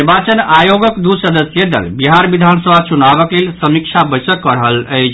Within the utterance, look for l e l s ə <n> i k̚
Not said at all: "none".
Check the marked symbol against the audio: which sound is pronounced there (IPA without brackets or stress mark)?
m